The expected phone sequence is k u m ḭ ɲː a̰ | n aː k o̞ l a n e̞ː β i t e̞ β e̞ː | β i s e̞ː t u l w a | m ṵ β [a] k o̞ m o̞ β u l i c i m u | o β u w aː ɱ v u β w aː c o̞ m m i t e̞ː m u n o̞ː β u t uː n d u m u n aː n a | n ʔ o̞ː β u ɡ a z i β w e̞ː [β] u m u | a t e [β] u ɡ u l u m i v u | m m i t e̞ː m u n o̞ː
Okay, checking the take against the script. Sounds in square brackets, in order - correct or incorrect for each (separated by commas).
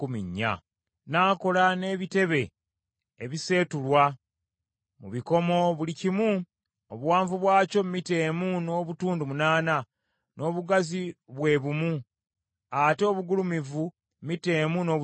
incorrect, correct, correct